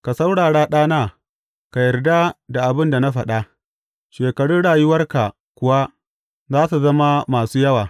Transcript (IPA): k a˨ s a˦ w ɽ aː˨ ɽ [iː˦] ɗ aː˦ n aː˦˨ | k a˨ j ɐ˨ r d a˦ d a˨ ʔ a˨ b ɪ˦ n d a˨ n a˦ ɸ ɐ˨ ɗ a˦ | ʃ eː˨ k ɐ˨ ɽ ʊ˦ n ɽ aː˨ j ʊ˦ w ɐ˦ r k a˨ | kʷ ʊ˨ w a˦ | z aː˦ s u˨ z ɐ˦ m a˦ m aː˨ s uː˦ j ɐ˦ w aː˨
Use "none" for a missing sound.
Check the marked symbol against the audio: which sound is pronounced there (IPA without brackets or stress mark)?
aː˦